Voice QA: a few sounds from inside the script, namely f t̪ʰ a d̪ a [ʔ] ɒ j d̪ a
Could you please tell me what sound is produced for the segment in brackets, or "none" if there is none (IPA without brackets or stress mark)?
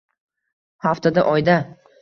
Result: ʔ